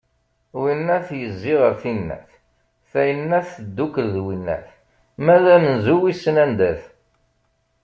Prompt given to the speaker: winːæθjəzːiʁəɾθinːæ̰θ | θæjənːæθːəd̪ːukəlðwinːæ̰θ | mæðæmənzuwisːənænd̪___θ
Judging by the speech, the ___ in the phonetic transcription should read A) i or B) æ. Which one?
B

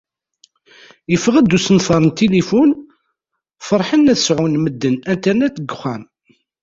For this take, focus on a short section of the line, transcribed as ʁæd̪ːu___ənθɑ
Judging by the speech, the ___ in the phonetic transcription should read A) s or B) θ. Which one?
A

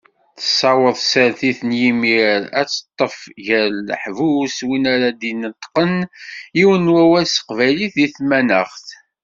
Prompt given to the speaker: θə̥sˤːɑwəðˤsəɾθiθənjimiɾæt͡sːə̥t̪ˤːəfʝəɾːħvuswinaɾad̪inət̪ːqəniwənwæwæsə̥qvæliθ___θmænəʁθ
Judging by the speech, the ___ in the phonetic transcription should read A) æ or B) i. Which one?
B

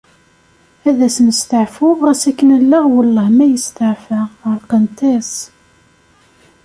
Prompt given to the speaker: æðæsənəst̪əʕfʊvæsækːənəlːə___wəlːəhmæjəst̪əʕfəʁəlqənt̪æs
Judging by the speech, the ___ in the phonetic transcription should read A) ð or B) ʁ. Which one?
B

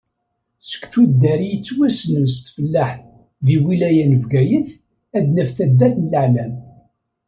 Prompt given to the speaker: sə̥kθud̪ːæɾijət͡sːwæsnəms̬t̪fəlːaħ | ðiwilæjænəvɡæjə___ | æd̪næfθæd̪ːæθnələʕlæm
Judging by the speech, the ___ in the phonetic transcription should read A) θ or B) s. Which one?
A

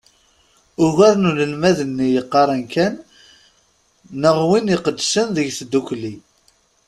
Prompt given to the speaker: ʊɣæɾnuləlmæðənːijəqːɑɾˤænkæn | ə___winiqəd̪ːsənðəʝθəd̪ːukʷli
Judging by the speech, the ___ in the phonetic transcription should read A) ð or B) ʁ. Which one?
B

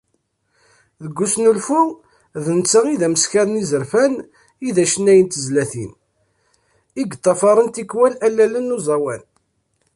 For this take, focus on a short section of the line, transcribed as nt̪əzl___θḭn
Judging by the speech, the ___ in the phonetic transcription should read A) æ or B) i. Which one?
A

